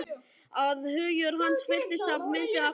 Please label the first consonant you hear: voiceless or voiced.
voiced